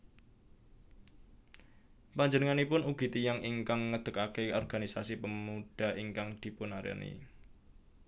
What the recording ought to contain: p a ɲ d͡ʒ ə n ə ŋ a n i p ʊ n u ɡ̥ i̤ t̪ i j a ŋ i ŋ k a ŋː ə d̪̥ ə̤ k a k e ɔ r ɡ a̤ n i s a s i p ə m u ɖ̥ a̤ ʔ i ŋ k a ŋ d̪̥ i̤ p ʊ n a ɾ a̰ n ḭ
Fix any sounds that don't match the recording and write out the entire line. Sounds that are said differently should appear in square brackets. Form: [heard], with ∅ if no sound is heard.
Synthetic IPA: p a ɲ d͡ʒ ə n ə ŋ a n i p ʊ n u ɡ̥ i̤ t̪ i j a ŋ i ŋ k a ŋː ə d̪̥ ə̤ k a k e ɔ r ɡ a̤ n i s a s i p ə m u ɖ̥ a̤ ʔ i ŋ k a ŋ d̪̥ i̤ p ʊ n a ɾ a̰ n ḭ